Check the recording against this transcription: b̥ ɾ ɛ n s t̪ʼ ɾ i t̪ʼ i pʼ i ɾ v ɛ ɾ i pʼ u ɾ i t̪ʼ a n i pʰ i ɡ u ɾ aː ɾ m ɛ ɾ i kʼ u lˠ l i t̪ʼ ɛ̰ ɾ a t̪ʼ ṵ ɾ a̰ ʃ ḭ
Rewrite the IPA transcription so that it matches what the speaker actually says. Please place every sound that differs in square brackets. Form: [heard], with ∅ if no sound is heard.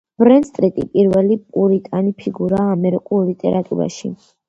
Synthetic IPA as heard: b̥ ɾ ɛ n s t̪ʼ ɾ i t̪ʼ i pʼ i ɾ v ɛ [l] i pʼ u ɾ i t̪ʼ a n i pʰ i ɡ u ɾ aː [∅] m ɛ ɾ i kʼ u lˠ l i t̪ʼ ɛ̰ ɾ a t̪ʼ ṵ ɾ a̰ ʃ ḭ